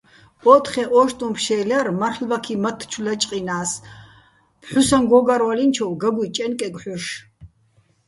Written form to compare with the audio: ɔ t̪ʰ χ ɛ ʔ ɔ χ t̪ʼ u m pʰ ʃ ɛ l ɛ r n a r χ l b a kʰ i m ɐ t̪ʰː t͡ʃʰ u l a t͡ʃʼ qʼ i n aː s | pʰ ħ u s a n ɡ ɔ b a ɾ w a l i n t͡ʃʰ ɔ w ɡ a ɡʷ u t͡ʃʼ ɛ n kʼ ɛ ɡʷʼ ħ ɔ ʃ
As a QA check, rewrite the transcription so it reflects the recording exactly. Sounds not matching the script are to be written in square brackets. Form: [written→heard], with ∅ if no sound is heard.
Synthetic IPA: ɔ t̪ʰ χ ɛ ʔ ɔ [χ→ʃ] t̪ʼ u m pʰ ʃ ɛ l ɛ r [n→m] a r χ l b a kʰ i m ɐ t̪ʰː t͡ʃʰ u l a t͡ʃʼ qʼ i n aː s | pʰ ħ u s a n ɡ ɔ [b→ɡ] a ɾ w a l i n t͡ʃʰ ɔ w ɡ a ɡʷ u t͡ʃʼ ɛ n kʼ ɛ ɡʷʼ ħ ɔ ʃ